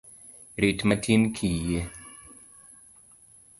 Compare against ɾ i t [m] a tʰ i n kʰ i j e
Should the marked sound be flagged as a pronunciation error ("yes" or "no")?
no